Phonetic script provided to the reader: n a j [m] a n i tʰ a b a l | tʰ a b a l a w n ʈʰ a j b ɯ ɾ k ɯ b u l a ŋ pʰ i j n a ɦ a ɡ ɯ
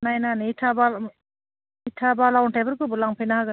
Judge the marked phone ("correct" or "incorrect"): incorrect